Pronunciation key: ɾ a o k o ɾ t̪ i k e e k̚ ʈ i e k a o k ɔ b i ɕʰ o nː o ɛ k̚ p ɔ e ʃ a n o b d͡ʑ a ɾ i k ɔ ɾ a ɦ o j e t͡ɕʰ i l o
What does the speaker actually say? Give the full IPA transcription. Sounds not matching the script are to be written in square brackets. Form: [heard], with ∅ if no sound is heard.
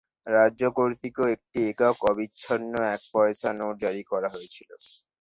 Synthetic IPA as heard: ɾ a o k o ɾ t̪ i k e e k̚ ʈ i e k a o k ɔ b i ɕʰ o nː o ɛ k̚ p ɔ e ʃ a n o [∅] d͡ʑ a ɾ i k ɔ ɾ a ɦ o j e t͡ɕʰ i l o